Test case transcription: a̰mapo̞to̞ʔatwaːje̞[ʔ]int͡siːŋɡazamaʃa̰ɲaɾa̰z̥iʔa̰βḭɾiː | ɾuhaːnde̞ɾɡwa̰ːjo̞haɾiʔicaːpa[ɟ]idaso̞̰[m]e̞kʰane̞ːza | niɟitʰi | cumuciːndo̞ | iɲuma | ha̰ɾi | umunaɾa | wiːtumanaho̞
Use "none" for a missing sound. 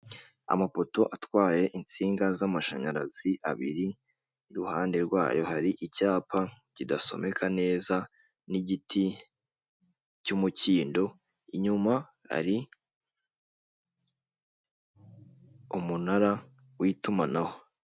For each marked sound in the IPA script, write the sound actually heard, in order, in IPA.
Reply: ʔ, c, m

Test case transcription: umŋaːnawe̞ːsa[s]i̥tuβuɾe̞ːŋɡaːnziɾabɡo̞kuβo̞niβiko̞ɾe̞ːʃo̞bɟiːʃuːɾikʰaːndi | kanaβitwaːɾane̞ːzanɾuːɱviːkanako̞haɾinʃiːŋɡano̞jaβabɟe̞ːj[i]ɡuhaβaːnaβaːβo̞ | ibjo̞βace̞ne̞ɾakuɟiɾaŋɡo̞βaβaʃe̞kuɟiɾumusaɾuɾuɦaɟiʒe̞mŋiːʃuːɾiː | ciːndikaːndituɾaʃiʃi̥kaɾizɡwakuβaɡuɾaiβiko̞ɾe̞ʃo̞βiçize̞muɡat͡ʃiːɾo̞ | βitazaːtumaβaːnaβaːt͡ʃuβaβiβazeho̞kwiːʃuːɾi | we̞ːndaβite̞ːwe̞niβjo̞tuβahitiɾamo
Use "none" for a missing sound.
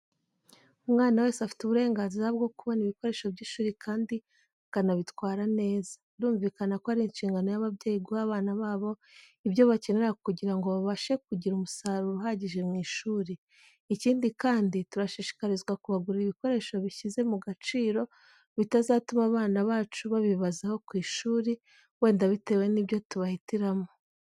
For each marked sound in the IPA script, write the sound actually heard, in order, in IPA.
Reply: f, i

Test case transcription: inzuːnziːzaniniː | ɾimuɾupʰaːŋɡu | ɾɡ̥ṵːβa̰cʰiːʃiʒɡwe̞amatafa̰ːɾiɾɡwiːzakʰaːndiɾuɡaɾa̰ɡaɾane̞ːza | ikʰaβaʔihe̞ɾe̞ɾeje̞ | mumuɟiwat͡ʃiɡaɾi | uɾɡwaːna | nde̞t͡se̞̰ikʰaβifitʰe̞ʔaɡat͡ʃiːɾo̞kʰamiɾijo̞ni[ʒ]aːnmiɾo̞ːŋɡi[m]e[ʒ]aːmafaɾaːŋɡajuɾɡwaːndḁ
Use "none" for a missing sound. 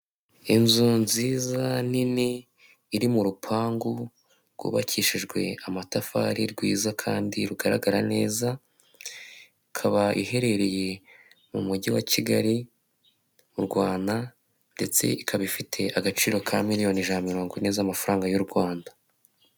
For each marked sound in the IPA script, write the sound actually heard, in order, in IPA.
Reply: ʒ, n, z

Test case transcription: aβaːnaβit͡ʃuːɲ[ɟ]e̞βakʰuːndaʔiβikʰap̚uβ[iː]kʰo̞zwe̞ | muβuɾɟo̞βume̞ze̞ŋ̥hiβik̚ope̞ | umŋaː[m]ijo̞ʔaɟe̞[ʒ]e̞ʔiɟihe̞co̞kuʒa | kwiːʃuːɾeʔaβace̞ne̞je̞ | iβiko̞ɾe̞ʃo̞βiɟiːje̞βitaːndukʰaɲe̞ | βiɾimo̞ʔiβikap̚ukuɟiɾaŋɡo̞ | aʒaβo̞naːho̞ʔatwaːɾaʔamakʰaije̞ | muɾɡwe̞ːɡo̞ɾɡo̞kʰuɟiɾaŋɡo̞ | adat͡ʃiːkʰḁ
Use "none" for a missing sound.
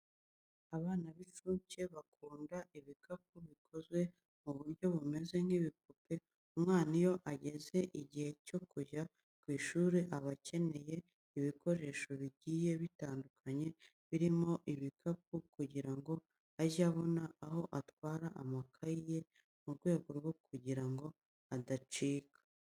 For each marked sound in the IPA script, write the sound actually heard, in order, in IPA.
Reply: c, i, n, z

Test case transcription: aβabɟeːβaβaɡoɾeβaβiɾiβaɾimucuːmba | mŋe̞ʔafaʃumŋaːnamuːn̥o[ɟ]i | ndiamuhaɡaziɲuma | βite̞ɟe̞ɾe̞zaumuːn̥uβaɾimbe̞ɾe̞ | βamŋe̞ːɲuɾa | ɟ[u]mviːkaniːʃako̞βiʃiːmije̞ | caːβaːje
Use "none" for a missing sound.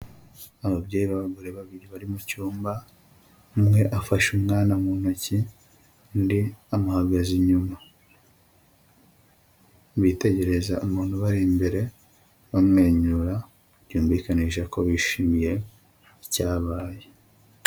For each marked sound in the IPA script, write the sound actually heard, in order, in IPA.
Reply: c, uː

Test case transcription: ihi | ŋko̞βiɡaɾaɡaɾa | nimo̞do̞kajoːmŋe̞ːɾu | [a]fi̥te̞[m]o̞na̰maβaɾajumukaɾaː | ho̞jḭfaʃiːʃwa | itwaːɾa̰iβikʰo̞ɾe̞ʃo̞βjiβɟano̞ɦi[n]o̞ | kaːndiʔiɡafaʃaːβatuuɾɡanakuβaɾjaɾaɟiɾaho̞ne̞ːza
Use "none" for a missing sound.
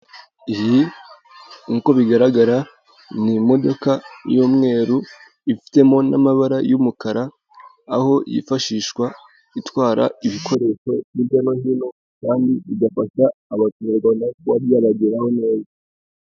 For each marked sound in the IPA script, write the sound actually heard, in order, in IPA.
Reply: i, m, n

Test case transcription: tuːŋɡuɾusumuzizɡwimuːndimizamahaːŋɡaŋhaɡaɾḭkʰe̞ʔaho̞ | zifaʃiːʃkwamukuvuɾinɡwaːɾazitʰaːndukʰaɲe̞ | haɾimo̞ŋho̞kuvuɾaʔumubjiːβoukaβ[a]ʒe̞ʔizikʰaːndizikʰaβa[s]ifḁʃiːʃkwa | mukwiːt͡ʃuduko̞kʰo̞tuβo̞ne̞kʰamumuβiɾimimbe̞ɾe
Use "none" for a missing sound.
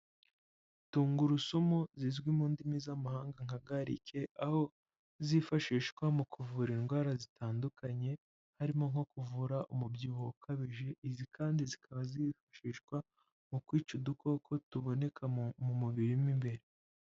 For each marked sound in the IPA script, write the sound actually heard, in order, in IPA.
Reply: i, z

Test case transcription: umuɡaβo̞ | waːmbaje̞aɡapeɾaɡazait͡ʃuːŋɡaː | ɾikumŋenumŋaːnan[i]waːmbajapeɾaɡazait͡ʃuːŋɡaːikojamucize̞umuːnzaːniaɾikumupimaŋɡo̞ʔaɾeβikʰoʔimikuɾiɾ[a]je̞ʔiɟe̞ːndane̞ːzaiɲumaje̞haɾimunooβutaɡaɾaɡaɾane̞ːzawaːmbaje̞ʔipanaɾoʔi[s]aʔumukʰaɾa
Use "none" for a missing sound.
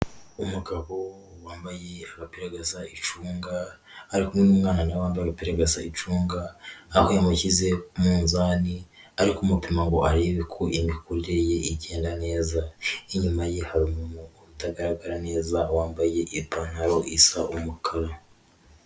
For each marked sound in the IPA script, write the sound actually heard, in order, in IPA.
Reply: a, e, s

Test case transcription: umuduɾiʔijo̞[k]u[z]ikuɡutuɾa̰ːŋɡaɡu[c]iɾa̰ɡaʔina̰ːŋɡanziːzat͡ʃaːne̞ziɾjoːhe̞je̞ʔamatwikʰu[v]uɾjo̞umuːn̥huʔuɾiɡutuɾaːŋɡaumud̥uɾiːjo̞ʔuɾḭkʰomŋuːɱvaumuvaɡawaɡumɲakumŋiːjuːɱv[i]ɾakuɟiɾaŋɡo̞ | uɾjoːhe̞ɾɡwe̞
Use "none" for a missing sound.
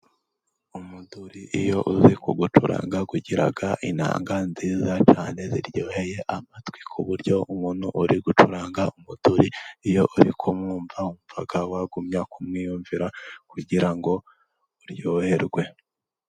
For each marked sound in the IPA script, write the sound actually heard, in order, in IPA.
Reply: ʔ, z, ɟ, β, i

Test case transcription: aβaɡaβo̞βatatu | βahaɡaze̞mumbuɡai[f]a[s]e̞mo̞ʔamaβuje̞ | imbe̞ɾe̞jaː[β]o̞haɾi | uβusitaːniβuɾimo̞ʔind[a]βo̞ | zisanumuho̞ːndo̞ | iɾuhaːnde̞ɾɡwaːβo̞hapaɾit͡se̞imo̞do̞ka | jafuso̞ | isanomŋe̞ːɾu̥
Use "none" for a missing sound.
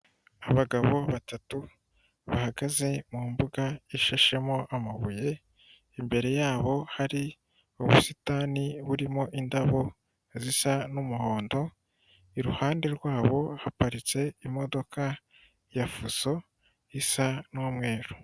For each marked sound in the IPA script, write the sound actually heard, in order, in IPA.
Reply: ʃ, ʃ, β, a

